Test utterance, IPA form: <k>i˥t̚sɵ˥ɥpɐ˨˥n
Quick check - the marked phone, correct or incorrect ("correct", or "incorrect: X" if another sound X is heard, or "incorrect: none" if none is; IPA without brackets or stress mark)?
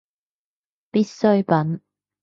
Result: incorrect: p